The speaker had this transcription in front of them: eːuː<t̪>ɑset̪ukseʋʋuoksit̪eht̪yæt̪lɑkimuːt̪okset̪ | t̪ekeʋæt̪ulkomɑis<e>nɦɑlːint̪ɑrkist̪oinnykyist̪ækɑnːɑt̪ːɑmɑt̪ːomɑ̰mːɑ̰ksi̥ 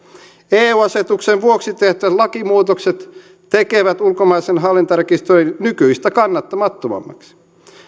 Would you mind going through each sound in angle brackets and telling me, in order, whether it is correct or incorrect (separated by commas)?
incorrect, correct